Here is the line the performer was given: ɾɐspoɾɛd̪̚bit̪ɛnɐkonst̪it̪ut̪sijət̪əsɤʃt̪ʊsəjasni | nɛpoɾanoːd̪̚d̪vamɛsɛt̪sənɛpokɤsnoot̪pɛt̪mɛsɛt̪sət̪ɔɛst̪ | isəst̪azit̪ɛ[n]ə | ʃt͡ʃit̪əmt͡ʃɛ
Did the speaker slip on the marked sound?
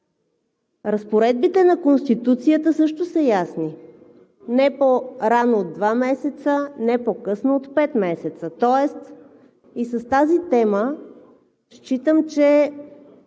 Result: yes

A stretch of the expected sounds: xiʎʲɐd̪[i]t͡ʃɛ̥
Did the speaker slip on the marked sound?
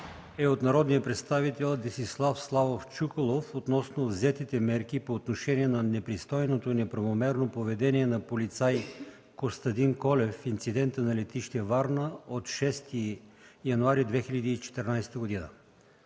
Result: yes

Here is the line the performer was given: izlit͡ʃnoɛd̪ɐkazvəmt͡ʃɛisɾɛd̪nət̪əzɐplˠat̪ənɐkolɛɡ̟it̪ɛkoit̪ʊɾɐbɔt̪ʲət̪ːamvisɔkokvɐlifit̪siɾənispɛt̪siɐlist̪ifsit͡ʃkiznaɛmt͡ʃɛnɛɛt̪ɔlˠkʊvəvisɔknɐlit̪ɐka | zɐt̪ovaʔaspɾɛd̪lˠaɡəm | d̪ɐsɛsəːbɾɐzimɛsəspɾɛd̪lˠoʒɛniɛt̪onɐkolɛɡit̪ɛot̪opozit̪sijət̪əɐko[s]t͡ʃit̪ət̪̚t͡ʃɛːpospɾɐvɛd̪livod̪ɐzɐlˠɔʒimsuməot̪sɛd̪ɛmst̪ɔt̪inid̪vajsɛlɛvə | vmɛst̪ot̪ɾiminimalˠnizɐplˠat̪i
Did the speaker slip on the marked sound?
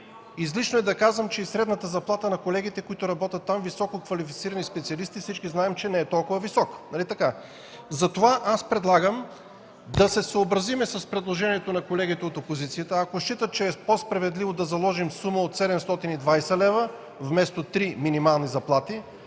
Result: yes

